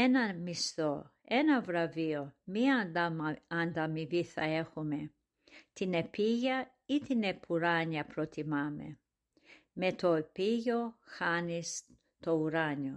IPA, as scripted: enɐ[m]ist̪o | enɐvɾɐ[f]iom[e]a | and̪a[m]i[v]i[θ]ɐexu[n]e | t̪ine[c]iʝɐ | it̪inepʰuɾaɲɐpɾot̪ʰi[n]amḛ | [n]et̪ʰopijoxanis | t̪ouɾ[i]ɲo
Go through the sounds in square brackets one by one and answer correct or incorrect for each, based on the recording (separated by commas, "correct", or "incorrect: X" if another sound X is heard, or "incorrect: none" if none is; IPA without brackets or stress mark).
correct, incorrect: v, incorrect: i, correct, correct, correct, incorrect: m, incorrect: p, incorrect: m, incorrect: m, incorrect: a